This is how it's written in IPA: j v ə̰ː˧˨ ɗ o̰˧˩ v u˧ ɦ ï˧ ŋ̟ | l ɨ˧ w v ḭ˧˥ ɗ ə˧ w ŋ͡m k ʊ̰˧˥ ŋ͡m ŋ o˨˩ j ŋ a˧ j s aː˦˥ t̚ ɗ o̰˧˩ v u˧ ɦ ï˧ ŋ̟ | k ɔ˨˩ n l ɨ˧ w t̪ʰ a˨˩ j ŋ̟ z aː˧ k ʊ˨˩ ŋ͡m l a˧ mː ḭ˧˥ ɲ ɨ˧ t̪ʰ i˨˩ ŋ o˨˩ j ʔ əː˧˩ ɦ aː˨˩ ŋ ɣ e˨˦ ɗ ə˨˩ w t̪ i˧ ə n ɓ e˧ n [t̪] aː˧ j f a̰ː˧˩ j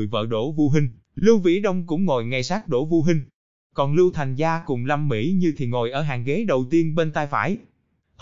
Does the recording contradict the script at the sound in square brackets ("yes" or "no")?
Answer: no